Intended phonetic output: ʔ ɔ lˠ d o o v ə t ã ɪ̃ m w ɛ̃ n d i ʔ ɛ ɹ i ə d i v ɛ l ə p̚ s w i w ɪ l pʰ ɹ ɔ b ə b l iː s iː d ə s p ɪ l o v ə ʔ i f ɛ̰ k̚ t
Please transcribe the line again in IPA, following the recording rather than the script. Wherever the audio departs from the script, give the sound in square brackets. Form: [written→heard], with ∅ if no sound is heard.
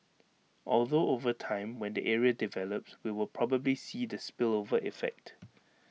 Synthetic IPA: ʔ ɔ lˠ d o o v ə [t→tʰ] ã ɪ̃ m w ɛ̃ n d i ʔ ɛ ɹ i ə d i v ɛ l ə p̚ s w i w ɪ l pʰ ɹ ɔ b ə b l [iː→i] s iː d ə s p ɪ l o v ə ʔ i f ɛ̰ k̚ t